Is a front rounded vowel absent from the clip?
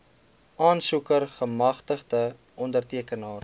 yes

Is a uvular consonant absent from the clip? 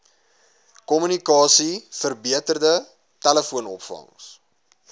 yes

